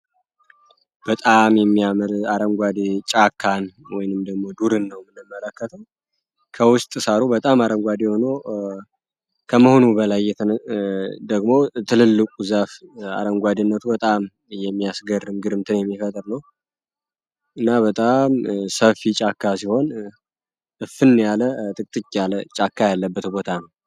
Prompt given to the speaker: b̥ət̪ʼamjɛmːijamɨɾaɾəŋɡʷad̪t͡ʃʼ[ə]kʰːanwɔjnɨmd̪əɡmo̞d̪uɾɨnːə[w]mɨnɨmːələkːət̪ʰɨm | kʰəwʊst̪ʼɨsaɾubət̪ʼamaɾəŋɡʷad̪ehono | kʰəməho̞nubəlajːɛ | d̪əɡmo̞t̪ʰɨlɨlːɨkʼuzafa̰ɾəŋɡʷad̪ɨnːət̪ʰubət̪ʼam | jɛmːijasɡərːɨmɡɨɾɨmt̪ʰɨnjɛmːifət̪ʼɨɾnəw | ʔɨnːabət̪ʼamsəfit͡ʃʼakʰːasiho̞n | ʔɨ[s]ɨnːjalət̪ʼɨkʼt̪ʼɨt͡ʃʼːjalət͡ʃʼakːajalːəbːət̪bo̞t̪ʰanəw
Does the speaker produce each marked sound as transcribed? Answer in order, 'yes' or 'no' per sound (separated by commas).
no, yes, no